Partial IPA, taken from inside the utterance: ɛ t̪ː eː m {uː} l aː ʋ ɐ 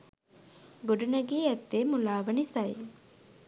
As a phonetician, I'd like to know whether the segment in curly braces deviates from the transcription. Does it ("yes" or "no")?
yes